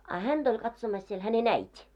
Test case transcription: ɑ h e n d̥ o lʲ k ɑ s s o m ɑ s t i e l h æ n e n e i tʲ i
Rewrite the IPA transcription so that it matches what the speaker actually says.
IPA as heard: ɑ h æ n d̥ o lʲ k ɑ t s o m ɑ s s i e l h æ n e n æ i tʲ i